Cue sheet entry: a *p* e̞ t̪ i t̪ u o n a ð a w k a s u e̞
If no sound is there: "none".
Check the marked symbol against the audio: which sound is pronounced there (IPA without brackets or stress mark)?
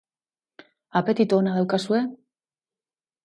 p